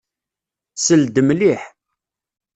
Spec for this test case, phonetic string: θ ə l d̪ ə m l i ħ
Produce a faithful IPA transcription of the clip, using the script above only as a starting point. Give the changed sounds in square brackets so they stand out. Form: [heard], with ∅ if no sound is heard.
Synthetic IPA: [s] ə l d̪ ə m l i ħ